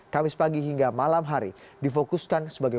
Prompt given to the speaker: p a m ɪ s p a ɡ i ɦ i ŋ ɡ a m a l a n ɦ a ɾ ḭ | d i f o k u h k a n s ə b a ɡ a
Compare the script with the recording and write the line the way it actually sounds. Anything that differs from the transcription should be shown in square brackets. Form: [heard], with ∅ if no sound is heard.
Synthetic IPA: [k] a m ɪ s p a ɡ i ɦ i ŋ ɡ a m a l a [m] ɦ a ɾ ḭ | d i f o k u [s] k a n s ə b a ɡ a